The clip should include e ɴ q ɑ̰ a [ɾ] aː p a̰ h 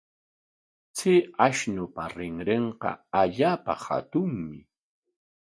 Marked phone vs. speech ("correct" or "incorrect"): incorrect